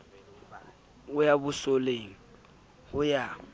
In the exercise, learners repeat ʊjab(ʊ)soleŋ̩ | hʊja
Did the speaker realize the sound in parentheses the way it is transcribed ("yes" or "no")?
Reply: yes